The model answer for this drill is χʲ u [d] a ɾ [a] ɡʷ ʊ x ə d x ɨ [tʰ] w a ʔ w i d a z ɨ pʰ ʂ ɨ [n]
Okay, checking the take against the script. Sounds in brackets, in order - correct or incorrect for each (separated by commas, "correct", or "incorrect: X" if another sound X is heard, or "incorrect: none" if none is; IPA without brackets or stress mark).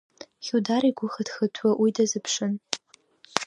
correct, incorrect: i, correct, correct